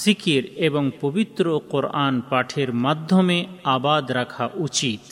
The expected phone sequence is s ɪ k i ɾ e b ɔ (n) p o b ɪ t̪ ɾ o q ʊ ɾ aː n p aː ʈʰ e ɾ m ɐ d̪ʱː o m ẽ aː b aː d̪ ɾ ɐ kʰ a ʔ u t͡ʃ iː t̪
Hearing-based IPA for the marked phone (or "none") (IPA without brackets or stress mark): ŋ